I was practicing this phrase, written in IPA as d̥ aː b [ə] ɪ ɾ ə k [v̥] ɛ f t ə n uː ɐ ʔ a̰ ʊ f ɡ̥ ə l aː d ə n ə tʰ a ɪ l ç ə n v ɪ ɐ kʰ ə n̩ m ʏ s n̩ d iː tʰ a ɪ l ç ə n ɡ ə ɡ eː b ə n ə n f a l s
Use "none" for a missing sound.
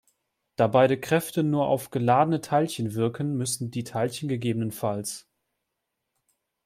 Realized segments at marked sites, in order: a, ʁ̥

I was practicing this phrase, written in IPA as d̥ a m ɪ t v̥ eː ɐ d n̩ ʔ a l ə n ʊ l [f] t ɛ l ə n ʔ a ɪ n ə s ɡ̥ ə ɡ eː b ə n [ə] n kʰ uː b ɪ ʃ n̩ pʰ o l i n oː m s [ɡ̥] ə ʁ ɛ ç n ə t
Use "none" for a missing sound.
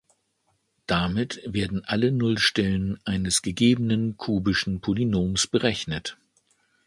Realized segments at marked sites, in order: ʃ, ə, b̥

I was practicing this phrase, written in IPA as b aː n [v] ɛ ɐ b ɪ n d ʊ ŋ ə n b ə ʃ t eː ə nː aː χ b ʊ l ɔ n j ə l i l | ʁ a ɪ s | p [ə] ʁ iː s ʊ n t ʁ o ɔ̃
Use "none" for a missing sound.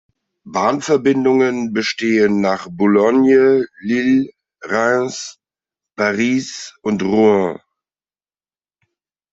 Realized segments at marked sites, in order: f, a

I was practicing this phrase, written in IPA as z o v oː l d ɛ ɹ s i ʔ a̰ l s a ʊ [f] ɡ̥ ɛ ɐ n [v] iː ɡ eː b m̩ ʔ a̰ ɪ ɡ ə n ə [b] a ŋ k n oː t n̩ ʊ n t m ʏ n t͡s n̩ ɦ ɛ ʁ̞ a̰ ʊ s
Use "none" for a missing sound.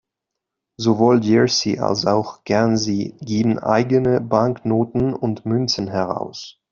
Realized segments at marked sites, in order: x, z, b

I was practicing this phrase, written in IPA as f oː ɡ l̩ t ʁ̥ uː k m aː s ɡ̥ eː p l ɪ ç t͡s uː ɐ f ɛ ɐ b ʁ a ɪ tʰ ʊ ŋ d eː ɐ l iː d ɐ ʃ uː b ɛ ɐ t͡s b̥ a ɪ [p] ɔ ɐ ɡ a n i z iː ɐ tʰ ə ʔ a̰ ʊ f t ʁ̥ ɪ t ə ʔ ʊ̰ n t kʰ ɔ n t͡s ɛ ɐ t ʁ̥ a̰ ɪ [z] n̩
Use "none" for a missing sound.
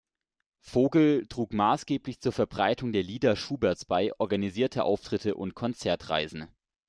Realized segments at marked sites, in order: ʔ, z

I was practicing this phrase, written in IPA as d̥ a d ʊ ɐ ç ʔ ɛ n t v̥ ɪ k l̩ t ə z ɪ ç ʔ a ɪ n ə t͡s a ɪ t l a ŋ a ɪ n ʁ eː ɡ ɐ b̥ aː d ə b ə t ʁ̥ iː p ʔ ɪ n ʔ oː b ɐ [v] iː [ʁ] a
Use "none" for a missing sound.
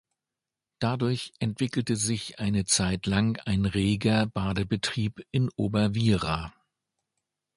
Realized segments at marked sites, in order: v, ʁ

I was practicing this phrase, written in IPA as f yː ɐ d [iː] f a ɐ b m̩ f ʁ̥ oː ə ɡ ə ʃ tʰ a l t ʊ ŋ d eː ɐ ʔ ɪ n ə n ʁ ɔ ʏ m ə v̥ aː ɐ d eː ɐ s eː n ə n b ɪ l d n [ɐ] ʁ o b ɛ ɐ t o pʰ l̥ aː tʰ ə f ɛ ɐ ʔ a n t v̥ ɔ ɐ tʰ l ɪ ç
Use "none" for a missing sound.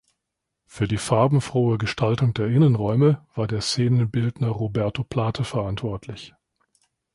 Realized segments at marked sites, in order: iː, ɐ

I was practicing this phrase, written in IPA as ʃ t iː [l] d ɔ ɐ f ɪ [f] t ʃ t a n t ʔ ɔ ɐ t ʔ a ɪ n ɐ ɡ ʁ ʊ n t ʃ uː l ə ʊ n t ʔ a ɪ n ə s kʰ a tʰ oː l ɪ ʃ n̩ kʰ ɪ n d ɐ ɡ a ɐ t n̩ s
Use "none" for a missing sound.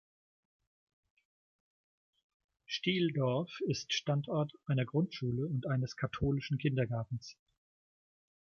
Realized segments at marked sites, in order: l, s

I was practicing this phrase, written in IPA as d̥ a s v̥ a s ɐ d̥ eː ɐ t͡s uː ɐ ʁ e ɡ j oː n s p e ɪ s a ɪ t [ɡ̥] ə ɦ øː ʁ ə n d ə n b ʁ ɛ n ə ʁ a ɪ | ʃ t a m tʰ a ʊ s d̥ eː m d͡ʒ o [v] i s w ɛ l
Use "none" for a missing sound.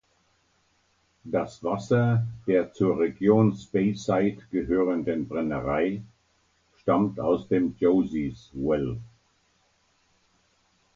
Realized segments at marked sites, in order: ɡ̥, z

